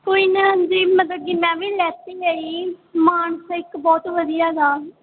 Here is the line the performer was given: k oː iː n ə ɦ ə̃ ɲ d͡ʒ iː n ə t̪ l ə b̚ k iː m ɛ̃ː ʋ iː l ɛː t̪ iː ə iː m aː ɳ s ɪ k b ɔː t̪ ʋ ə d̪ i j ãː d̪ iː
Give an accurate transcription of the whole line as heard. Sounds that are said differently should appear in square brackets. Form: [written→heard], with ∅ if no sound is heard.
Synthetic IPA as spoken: k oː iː n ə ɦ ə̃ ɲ d͡ʒ iː [n→m] ə t̪ l ə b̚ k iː m ɛ̃ː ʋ iː l ɛː t̪ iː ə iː m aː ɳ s ɪ k b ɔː t̪ ʋ ə d̪ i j [ãː→aː] d̪ [iː→aː]